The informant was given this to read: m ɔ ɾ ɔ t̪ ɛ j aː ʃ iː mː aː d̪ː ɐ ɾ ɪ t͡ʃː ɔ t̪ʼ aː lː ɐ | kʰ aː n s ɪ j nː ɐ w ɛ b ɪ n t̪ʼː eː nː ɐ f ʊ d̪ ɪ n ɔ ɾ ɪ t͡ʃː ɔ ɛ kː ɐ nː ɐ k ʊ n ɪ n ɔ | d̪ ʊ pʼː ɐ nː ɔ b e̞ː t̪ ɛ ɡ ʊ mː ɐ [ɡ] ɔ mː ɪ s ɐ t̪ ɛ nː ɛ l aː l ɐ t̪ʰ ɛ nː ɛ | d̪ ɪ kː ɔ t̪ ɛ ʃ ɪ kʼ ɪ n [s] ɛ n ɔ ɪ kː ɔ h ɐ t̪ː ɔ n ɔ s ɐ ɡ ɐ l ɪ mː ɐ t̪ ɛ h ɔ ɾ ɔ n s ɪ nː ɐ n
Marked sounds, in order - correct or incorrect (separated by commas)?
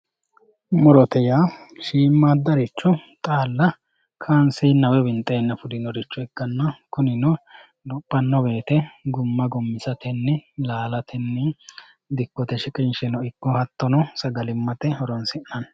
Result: correct, incorrect